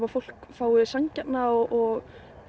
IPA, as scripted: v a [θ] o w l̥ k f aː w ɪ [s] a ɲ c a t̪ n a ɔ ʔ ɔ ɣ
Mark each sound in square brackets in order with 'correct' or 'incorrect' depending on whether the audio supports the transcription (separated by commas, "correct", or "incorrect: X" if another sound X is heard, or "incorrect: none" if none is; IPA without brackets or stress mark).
incorrect: f, correct